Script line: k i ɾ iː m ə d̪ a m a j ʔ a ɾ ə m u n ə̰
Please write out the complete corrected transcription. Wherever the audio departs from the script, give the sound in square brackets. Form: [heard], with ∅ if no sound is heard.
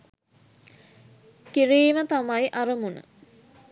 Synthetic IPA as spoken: k i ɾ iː m ə [t̪] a m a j ʔ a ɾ ə m u n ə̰